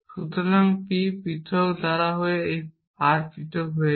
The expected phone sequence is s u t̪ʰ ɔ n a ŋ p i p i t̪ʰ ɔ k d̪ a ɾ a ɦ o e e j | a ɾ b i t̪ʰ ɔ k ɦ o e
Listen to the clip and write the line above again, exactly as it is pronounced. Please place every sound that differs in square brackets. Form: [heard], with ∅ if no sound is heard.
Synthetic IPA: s u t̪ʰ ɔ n a ŋ p i p i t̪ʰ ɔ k d̪ a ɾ a ɦ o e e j | a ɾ [p] i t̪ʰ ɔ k ɦ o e